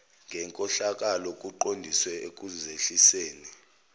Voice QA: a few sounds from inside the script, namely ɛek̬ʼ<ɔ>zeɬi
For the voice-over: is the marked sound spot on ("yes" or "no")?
no